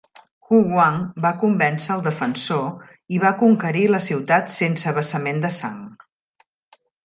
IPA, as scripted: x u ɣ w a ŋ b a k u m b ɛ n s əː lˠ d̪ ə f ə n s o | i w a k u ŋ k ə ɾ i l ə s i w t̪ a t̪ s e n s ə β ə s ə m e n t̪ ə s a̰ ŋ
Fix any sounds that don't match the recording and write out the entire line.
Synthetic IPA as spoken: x u ɣ w a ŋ b a k u m b ɛ n s əː lˠ d̪ ə f ə n s o | i β a k u ŋ k ə ɾ i l ə s i w t̪ a t̪ s e n s ə β ə s ə m e n d̪ ə s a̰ ŋ